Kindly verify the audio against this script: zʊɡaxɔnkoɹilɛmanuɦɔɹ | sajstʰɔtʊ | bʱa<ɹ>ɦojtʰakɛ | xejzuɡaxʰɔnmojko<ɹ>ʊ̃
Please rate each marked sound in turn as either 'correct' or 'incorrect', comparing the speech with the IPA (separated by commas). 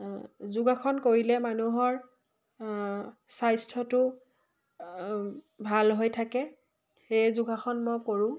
incorrect, correct